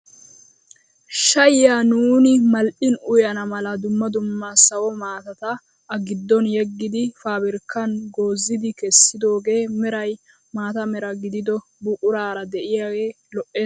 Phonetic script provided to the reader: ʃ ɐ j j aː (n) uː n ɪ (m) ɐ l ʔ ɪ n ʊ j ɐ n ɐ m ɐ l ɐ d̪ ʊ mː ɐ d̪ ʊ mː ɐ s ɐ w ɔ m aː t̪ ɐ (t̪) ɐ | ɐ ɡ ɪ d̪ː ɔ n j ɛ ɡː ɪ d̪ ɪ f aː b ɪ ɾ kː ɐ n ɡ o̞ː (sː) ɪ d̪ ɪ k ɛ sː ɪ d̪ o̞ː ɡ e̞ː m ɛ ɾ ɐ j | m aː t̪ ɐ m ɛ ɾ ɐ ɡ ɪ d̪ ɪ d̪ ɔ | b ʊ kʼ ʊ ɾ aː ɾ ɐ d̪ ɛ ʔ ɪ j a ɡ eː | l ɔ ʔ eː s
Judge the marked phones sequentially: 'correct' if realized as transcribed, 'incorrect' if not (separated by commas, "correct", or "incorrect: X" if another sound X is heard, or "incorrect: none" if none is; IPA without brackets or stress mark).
correct, correct, correct, incorrect: zː